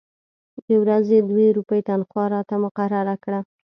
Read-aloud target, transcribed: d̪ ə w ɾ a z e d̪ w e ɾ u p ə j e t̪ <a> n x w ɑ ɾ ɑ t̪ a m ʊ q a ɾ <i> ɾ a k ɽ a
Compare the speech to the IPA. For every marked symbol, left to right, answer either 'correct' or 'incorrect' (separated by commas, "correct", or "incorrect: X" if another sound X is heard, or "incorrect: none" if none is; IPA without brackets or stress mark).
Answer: correct, incorrect: a